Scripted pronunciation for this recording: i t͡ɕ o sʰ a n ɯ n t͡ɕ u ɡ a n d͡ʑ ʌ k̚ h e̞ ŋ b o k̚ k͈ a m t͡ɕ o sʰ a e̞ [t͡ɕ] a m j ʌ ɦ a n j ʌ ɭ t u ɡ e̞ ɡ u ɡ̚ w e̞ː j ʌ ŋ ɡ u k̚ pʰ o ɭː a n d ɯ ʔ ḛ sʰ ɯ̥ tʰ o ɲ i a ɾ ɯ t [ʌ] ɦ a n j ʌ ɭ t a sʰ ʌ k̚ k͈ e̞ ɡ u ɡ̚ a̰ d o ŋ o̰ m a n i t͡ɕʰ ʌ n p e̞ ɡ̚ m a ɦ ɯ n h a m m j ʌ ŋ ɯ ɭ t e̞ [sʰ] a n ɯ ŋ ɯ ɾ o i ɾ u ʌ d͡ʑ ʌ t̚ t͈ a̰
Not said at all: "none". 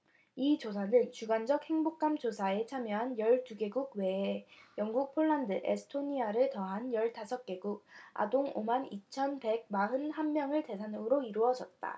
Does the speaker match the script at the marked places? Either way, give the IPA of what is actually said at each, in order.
t͡ɕʰ, ʌ, sʰ

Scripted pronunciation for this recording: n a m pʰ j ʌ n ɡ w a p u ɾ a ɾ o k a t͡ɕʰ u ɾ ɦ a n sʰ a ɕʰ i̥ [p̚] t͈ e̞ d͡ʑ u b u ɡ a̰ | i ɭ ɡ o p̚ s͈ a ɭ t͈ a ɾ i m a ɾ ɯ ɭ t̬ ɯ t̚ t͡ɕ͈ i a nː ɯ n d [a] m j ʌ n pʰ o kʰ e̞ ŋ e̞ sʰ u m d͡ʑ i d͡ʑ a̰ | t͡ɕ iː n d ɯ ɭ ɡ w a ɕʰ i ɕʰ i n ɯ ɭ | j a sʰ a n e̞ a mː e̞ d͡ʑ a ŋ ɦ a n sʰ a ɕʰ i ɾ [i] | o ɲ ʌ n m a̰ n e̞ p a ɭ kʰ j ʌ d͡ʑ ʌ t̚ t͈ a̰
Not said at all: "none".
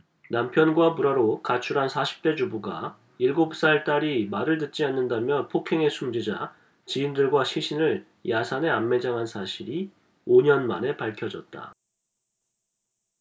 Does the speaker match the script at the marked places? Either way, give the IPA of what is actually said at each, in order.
p̚, a, i

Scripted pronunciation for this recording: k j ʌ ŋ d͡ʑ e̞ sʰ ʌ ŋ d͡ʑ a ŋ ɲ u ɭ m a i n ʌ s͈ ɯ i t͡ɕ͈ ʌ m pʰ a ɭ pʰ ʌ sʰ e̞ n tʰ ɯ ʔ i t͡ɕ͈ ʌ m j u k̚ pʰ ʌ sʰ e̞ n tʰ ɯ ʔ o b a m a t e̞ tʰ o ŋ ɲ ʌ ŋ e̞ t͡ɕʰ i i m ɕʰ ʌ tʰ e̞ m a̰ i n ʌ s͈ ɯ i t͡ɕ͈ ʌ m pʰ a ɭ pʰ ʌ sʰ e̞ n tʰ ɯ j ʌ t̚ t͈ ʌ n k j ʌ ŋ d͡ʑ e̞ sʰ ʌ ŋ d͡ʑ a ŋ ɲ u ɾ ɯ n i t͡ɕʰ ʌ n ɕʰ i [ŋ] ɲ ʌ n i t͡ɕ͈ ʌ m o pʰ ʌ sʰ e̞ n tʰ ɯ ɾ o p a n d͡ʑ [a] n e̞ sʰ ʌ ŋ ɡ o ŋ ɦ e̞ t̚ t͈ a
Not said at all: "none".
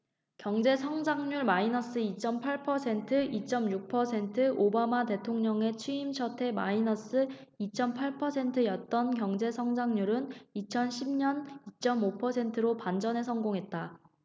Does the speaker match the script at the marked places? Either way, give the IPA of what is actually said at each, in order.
m, ʌ

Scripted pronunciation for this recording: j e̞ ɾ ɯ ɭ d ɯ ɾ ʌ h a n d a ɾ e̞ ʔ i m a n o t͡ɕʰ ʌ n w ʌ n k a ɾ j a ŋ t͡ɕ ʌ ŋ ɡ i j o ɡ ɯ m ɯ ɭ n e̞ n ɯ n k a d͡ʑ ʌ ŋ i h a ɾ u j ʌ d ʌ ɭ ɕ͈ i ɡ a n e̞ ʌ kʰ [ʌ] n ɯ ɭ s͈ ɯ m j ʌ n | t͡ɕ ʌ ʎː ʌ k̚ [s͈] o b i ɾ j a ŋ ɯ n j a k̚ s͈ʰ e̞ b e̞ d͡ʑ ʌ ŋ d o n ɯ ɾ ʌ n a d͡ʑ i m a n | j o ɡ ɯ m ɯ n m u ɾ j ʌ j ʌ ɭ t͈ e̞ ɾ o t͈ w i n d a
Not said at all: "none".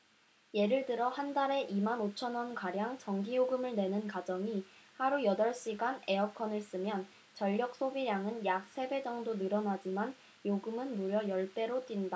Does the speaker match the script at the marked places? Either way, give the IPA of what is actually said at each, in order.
ʌ, s͈

